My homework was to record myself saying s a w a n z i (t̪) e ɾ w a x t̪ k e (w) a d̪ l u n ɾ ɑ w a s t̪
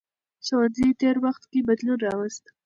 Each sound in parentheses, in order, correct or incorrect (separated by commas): correct, incorrect